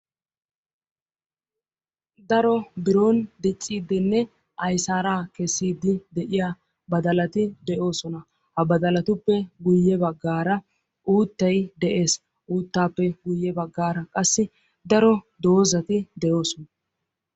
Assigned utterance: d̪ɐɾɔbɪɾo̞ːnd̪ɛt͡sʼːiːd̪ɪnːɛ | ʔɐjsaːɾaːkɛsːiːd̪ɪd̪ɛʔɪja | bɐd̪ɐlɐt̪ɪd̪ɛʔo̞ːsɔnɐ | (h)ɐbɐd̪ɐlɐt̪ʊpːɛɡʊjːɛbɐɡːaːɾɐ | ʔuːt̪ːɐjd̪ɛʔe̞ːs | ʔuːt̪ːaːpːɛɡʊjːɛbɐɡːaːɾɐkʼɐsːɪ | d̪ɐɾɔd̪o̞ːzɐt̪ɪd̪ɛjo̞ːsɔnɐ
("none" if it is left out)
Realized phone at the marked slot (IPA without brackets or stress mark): h